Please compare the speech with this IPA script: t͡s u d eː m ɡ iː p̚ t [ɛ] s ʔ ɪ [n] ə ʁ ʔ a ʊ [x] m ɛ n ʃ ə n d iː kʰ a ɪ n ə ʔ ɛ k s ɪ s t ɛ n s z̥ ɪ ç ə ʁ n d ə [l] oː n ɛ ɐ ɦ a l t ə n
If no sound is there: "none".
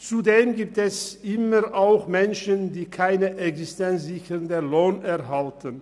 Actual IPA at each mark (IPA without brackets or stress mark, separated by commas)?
ɛ, m, x, l